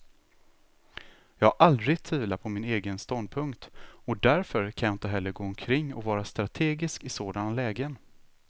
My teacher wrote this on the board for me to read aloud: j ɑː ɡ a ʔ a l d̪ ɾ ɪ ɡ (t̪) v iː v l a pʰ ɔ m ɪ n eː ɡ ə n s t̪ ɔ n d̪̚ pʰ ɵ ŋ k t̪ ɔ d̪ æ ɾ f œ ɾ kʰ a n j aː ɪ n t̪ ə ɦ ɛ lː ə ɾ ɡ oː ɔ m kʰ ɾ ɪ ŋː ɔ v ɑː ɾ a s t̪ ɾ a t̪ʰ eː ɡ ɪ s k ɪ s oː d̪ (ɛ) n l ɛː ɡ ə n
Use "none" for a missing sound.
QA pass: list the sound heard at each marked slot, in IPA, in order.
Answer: t̪ʰ, a

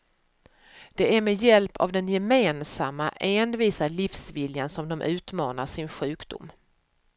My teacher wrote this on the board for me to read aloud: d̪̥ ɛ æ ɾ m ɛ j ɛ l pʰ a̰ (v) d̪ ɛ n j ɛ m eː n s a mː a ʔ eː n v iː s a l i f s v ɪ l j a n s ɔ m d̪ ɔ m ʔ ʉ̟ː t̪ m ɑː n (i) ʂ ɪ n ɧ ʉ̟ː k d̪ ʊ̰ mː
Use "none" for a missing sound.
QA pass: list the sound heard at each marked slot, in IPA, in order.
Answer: v, a

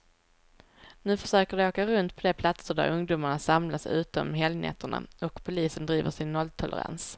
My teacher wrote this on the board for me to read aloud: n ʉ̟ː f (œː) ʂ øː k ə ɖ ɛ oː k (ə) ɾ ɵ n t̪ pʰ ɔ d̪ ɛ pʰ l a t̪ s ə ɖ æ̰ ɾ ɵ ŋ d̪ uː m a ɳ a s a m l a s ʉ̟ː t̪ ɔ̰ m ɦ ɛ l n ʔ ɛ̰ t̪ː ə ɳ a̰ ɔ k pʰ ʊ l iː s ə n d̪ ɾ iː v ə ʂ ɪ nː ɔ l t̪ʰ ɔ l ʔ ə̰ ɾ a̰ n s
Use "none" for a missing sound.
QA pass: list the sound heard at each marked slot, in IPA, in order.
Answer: œ, a

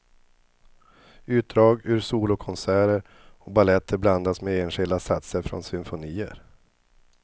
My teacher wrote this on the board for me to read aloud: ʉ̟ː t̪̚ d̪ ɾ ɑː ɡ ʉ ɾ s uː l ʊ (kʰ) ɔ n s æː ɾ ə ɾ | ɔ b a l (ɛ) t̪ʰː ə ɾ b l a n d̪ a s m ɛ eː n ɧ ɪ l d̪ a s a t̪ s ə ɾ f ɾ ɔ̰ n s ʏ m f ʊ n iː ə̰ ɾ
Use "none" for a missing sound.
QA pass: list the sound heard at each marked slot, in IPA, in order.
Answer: kʰ, ɛ

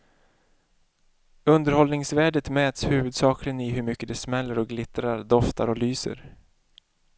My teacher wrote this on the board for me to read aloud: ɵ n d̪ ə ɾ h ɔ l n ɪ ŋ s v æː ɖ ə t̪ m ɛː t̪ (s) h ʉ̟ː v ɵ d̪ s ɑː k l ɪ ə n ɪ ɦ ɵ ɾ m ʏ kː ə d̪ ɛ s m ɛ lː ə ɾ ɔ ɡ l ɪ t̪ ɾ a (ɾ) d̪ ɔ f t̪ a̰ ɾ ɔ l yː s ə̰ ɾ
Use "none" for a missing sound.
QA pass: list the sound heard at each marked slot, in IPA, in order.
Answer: s, ɾ

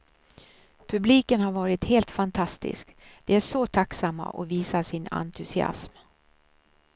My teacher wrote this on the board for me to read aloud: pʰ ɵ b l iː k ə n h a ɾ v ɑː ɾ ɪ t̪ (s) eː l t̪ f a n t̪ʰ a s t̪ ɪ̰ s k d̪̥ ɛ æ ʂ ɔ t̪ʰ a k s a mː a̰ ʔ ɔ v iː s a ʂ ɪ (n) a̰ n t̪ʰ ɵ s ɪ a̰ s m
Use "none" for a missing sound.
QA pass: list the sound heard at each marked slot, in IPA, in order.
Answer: h, n

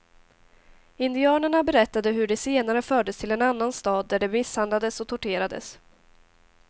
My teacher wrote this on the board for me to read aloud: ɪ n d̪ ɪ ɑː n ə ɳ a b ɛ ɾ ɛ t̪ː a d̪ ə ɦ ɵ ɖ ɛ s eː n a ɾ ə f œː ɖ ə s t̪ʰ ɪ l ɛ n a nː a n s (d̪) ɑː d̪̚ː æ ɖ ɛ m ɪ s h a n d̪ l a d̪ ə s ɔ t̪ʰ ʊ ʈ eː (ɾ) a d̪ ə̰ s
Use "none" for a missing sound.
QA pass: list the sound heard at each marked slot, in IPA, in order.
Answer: t̪, ɾ

